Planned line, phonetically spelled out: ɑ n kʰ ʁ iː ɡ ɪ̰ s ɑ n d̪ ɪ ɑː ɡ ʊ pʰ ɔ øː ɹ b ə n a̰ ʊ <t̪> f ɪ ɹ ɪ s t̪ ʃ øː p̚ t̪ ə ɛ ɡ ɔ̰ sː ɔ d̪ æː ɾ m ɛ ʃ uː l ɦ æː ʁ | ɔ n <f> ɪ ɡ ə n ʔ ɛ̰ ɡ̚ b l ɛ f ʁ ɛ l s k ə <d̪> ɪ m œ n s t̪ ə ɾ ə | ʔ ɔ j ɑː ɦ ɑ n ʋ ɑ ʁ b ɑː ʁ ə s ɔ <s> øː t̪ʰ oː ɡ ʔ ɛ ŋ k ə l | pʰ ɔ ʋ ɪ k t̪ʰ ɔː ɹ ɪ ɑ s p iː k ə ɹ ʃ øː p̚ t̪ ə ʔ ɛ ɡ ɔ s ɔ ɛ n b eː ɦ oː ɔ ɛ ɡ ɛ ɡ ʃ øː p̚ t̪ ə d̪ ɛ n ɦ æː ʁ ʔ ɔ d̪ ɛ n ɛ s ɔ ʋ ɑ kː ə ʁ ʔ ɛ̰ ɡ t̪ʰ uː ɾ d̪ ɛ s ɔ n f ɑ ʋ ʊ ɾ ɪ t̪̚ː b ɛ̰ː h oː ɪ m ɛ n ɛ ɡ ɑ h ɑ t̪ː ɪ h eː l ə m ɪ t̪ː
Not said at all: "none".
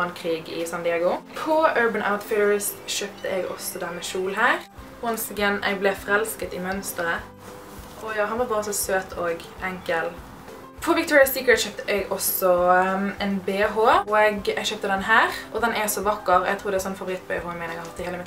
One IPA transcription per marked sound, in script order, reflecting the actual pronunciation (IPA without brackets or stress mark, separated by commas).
t̪, s, t̪, s